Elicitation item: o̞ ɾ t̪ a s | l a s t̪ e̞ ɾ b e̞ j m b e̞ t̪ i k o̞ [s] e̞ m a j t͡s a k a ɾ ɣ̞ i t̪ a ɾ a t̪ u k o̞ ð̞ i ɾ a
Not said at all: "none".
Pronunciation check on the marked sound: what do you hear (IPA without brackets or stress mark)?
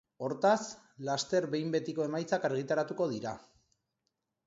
none